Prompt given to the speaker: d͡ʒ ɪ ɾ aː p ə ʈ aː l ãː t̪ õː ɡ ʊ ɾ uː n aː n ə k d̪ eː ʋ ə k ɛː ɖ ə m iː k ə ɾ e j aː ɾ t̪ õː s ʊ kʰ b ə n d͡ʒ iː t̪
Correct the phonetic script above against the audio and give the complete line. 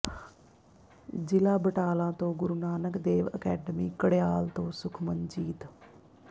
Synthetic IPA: d͡ʒ ɪ l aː b ə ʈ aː l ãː t̪ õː ɡ ʊ ɾ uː n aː n ə k d̪ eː ʋ ə k ɛː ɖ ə m iː k ə ɽ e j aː l t̪ õː s ʊ kʰ m ə n d͡ʒ iː t̪